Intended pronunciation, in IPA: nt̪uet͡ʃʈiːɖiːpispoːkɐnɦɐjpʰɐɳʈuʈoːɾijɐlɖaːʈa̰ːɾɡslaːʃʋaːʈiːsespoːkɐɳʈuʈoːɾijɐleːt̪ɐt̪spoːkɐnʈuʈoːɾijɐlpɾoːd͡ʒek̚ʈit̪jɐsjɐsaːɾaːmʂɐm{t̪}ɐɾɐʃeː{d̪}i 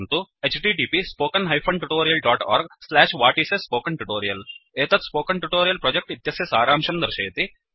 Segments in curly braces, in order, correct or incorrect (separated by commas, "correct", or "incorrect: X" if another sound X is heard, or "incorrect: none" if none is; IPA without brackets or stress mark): incorrect: d̪, incorrect: t̪